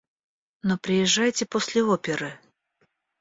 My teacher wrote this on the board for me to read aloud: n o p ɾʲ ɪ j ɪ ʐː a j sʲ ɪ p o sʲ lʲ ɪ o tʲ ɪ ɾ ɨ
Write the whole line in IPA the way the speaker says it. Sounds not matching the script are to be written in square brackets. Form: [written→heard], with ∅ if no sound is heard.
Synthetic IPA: n o p ɾʲ ɪ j ɪ ʐː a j [sʲ→tʲ] ɪ p o sʲ lʲ ɪ o [tʲ→pʲ] ɪ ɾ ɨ